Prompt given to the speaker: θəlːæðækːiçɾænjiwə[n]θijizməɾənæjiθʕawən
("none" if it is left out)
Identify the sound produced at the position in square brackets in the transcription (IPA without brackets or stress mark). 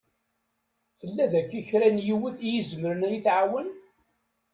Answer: none